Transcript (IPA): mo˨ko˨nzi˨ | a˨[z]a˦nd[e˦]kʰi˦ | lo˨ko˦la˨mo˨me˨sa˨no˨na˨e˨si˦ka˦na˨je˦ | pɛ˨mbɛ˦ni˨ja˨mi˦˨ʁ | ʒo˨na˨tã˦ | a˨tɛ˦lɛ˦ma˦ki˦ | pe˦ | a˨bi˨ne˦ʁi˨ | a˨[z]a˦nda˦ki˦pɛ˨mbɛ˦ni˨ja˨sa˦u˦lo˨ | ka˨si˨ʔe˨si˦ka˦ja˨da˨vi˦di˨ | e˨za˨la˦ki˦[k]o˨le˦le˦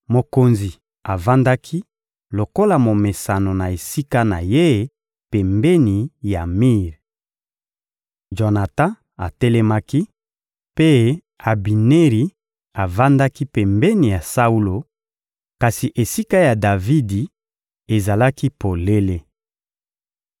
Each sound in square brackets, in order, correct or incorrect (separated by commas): incorrect, incorrect, incorrect, incorrect